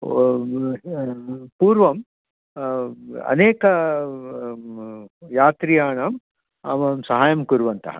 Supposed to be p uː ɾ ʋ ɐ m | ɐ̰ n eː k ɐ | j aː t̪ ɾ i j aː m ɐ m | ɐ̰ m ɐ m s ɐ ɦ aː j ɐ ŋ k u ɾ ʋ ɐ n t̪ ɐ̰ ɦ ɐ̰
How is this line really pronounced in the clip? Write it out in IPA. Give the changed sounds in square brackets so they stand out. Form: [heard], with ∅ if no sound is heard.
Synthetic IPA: p uː ɾ ʋ ɐ m | ɐ̰ n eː k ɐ | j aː t̪ ɾ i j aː [ɳ] ɐ m | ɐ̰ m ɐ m s ɐ ɦ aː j ɐ [m] k u ɾ ʋ ɐ n t̪ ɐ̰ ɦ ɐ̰